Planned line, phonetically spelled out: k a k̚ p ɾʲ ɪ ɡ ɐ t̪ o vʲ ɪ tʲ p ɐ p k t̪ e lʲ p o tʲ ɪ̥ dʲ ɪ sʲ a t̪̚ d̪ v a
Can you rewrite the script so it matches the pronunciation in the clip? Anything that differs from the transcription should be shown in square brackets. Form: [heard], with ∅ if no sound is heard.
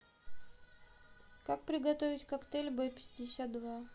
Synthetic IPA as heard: k a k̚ p ɾʲ ɪ ɡ ɐ t̪ o vʲ ɪ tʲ [k] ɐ [∅] k t̪ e lʲ [b] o [pʲ] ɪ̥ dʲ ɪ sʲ a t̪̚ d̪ v a